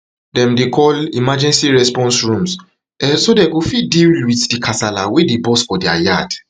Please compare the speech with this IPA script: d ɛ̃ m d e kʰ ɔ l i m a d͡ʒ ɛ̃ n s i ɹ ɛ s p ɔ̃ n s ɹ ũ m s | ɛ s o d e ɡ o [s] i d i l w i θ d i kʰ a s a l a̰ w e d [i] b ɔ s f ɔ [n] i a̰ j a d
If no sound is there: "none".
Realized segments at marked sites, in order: f, e, d

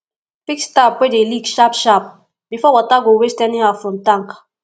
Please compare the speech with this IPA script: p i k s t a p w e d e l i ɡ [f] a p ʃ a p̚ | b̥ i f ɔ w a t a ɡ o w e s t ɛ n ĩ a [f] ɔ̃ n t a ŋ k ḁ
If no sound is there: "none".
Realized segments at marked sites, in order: ʃ, f

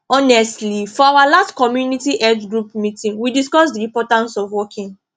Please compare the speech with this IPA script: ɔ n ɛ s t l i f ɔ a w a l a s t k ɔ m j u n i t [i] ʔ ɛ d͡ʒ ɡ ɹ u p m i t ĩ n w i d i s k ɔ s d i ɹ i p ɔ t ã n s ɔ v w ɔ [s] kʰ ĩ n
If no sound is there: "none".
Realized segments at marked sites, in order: i, none

